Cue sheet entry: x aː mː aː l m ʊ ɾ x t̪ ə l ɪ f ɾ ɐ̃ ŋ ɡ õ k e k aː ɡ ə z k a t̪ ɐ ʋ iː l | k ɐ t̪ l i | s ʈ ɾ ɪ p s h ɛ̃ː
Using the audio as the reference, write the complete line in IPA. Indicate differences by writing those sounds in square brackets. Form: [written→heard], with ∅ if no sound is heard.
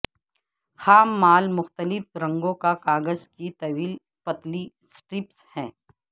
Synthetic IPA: x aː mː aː l m ʊ [ɾ→∅] x t̪ ə l ɪ f ɾ ɐ̃ ŋ ɡ õ k [e→a] k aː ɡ ə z k [a→i] t̪ ɐ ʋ iː l | [k→p] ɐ t̪ l i | s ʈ ɾ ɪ p s h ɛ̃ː